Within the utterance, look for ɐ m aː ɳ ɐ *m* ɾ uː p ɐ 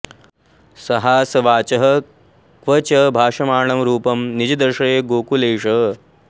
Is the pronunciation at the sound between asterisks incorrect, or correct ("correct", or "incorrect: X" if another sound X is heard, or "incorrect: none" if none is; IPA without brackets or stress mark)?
correct